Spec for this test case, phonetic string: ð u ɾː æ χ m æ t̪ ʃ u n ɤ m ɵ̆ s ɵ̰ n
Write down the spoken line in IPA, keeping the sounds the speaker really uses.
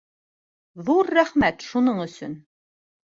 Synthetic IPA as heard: ð u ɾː æ χ m æ t̪ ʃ u n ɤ ɴ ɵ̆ s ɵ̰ n